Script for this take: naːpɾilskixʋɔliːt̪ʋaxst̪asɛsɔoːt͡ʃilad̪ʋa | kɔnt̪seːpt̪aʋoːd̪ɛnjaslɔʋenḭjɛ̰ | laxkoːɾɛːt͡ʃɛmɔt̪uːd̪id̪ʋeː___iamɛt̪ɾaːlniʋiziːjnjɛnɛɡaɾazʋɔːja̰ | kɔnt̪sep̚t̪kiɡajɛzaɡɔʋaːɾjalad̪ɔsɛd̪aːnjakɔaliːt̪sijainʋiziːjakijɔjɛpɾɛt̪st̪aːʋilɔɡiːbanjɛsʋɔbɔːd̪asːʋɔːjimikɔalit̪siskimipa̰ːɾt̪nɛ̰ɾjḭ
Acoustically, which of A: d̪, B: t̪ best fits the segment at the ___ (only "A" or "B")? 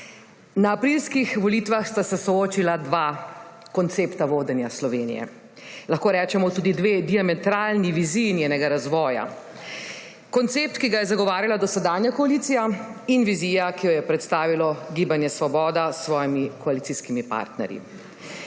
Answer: A